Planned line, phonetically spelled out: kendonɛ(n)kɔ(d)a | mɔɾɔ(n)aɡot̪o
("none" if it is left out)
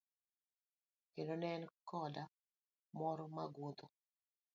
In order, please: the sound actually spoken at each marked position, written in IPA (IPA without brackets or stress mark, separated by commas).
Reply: n, d, m